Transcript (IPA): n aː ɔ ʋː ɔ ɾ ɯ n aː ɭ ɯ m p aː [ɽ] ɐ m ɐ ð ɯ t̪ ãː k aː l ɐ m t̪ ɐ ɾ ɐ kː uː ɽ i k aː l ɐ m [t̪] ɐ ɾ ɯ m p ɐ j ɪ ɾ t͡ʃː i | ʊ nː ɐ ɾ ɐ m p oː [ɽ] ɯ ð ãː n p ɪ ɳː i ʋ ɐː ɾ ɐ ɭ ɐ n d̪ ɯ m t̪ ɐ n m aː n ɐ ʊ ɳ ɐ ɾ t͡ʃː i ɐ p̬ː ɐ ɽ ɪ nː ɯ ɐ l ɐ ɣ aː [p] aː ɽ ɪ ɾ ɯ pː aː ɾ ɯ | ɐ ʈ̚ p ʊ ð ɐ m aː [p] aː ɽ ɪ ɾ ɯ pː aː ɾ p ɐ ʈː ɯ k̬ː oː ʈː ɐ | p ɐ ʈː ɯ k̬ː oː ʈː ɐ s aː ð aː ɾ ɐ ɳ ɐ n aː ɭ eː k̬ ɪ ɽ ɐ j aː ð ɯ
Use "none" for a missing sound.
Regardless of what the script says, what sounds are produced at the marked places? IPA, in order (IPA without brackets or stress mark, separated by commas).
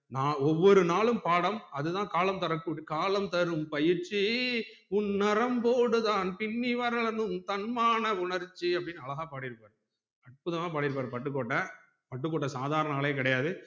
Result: ɽ, t̪, ɽ, p, p